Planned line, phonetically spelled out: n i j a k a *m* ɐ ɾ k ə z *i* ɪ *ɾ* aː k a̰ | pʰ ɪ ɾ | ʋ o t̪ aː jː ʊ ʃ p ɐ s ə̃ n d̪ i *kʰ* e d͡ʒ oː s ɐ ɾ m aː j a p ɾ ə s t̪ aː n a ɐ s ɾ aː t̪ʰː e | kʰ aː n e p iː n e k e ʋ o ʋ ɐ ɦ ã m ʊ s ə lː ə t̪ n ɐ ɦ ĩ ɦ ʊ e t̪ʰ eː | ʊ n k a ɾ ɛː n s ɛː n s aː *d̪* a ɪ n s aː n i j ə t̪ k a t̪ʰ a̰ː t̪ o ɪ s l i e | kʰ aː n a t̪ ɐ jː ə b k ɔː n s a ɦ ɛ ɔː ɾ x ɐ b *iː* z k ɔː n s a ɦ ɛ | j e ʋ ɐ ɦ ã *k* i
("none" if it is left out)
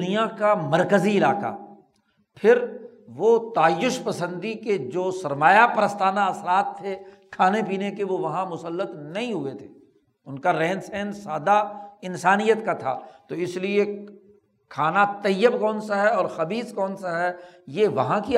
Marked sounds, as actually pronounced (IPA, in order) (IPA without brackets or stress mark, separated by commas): m, i, l, k, d̪, iː, k